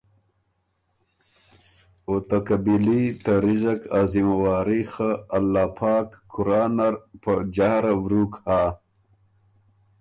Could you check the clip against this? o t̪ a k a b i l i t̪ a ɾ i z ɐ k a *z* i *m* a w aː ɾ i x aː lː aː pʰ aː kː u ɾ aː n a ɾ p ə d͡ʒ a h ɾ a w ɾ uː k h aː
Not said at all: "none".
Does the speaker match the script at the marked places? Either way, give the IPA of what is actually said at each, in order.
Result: z, m

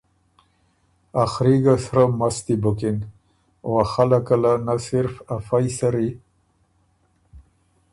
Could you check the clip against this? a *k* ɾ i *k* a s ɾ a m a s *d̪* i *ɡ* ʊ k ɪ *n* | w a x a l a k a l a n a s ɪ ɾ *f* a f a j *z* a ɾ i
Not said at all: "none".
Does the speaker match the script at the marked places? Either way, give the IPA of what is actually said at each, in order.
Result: x, ɡ, t̪, b, n, f, s

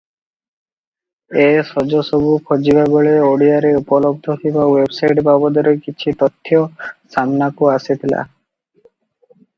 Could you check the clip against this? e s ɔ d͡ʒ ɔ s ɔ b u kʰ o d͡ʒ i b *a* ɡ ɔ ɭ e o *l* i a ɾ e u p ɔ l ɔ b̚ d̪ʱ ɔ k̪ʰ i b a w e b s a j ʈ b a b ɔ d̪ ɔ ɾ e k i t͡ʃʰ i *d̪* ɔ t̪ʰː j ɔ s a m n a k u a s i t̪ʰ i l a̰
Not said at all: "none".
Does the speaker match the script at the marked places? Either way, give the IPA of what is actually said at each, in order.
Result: a, ɽ, t̪

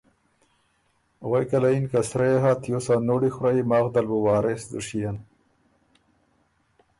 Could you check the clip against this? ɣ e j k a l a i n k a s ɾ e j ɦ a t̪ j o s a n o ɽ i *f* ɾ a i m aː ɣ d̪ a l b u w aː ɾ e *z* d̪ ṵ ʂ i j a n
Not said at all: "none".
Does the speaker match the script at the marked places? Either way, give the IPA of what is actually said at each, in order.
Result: x, s

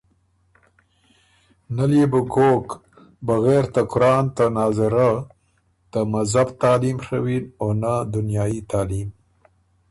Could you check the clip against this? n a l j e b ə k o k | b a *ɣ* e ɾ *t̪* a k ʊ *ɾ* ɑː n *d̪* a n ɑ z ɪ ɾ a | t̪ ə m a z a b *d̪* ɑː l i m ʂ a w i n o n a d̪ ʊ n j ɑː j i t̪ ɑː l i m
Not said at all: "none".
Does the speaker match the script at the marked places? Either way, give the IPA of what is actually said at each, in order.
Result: ɣ, t̪, ɾ, t̪, t̪

